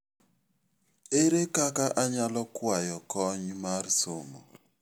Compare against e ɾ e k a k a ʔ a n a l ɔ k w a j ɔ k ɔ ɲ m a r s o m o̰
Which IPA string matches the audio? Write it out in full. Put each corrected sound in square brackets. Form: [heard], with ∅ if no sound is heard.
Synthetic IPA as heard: e ɾ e k a k a ʔ a [ɲ] a l ɔ k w a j ɔ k ɔ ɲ m a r s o m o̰